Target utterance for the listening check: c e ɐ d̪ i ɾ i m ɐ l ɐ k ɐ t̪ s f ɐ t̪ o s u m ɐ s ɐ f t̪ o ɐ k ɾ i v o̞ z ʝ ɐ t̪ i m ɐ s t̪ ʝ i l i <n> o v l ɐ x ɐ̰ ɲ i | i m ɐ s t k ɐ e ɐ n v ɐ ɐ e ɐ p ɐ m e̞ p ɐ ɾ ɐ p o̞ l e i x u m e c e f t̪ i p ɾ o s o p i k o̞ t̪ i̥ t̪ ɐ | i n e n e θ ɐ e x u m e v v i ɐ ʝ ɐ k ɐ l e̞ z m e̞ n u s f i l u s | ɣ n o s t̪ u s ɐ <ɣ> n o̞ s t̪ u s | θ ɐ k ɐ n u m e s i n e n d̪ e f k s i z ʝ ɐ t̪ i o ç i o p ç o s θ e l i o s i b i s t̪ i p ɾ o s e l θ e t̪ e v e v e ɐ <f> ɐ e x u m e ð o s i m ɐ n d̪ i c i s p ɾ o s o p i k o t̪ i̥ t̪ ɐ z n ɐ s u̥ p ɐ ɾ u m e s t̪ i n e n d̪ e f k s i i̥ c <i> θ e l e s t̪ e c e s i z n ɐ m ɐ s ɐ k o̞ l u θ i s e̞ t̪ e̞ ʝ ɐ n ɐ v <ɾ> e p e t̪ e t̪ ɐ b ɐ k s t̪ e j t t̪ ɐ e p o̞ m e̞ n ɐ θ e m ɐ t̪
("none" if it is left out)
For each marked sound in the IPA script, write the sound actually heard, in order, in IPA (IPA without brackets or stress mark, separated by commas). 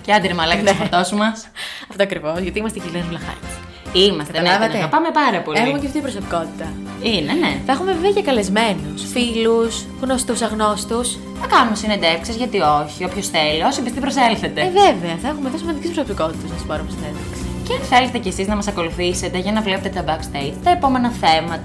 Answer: n, ɣ, θ, e, l